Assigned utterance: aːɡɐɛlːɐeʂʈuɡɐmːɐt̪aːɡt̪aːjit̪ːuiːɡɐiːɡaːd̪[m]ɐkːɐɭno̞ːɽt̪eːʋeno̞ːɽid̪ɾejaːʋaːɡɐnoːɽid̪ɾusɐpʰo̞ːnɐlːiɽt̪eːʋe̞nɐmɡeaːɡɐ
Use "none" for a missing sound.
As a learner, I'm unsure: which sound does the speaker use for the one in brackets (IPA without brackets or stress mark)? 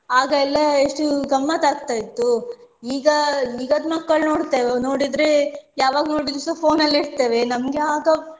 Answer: m